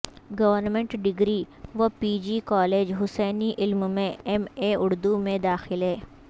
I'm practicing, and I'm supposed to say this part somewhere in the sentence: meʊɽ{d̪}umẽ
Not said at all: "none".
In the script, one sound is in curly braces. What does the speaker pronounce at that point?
d̪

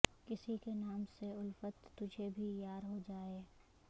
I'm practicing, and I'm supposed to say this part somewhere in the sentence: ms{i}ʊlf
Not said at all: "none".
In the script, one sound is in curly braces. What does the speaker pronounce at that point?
e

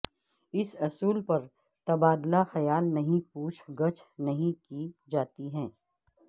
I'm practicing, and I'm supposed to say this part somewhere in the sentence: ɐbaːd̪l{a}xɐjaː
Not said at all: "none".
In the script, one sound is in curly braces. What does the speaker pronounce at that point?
a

